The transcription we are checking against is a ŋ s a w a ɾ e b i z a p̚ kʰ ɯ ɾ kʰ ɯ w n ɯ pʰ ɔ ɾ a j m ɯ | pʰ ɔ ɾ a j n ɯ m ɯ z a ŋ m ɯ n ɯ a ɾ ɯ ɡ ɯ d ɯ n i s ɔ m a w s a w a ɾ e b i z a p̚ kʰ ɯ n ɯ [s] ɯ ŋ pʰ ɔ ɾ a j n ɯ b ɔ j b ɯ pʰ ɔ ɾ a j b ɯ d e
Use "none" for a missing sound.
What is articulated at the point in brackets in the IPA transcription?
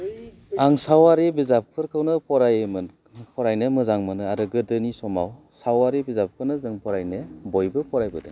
z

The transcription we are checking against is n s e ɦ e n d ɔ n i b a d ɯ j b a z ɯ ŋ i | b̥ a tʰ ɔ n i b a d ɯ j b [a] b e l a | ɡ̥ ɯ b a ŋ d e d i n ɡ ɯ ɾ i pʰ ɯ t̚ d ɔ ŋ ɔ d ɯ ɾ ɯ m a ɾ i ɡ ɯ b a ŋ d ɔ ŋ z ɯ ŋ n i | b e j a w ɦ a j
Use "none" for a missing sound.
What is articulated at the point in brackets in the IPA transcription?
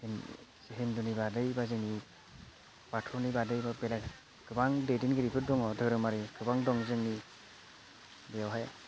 a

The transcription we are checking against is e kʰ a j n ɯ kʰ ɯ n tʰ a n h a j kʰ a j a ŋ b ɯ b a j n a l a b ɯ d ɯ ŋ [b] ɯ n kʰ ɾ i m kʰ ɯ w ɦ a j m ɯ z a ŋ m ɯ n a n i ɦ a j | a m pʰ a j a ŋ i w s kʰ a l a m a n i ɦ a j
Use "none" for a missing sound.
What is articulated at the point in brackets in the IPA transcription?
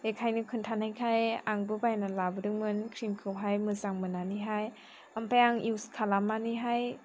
m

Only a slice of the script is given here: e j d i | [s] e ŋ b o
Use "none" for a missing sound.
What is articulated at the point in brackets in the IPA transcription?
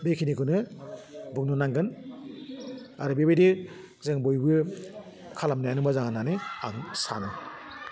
z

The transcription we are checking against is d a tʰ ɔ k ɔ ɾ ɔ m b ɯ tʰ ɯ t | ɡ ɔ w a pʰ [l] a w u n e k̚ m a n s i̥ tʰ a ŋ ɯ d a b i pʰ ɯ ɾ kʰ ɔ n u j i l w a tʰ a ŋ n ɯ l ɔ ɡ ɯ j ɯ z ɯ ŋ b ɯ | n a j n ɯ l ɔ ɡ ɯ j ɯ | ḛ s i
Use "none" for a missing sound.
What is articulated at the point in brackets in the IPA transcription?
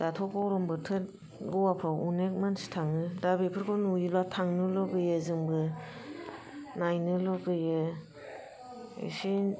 ɾ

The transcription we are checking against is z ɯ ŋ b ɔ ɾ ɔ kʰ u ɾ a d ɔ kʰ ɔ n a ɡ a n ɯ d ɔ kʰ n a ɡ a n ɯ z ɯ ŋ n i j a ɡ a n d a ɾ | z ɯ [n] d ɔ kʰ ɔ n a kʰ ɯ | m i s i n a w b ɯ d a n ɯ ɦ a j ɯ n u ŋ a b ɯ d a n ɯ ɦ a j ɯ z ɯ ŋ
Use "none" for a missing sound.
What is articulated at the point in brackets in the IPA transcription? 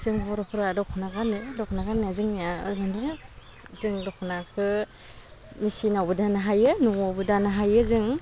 ŋ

